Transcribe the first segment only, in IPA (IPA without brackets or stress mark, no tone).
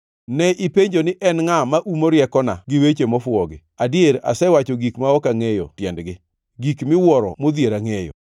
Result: n